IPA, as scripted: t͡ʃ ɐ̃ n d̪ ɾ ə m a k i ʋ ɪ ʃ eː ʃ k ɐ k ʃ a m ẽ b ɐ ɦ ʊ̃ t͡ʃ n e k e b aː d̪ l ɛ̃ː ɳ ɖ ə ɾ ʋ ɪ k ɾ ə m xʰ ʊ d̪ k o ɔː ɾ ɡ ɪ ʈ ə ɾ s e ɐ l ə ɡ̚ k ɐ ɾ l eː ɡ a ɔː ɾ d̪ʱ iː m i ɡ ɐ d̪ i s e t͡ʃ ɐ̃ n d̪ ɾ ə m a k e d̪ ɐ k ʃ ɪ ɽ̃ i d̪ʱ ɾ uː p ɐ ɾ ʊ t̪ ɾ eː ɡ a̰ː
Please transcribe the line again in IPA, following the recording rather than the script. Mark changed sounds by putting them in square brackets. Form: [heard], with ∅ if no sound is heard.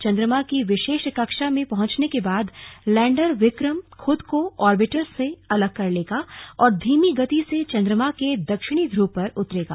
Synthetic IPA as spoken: t͡ʃ ɐ̃ n d̪ ɾ ə m a k i ʋ ɪ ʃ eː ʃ k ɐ k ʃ a m ẽ [p] ɐ ɦ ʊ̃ t͡ʃ n e k e b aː d̪ l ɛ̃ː ɳ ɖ ə ɾ ʋ ɪ k ɾ ə m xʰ ʊ d̪ k o ɔː ɾ [b] ɪ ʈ ə ɾ s e ɐ l ə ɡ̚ k ɐ ɾ l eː ɡ a ɔː ɾ d̪ʱ iː m i ɡ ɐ [t̪] i s e t͡ʃ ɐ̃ n d̪ ɾ ə m a k e d̪ ɐ k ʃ ɪ ɽ̃ i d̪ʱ ɾ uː p ɐ ɾ ʊ t̪ ɾ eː ɡ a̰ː